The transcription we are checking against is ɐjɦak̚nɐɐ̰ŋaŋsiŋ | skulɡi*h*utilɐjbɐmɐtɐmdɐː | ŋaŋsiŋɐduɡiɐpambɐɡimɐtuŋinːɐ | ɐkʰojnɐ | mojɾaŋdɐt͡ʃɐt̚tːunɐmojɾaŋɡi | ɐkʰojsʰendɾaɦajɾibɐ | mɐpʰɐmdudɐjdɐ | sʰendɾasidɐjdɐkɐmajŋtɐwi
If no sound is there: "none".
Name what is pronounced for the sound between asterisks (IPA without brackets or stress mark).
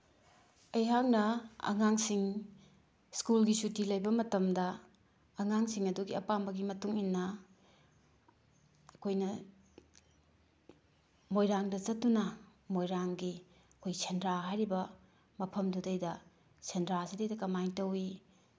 s